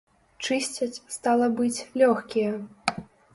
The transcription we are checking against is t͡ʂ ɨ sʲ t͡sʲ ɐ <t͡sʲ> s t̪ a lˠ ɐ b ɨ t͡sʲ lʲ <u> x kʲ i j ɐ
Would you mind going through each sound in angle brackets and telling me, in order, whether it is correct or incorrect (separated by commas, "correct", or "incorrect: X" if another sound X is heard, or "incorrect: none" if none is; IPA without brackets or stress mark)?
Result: correct, incorrect: ɔ